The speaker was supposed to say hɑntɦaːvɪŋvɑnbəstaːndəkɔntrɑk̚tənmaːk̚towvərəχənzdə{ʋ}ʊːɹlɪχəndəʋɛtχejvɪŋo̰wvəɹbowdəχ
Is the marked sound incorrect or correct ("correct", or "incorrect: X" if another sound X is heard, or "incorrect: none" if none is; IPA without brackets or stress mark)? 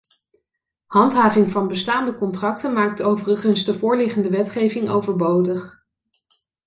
incorrect: v